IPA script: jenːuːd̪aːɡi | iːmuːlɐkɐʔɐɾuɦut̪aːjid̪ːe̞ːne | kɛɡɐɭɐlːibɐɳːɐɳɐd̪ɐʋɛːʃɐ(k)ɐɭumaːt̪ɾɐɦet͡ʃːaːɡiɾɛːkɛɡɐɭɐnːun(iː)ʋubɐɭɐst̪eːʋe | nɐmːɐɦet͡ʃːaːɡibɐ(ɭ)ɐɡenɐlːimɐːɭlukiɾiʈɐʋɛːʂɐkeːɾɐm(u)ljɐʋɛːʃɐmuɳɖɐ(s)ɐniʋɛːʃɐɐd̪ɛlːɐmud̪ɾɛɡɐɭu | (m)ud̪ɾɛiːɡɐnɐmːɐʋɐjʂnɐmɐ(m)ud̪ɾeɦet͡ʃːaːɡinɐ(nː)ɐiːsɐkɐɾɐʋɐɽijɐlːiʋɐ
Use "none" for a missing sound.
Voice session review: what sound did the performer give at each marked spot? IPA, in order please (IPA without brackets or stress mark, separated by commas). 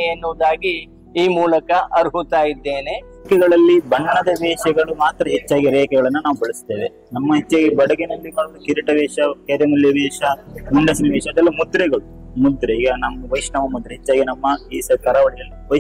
ɡ, aː, ɽ, u, s, m, m, mː